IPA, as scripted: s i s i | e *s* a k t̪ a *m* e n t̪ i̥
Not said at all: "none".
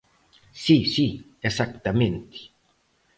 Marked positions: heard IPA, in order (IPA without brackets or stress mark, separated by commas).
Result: s, m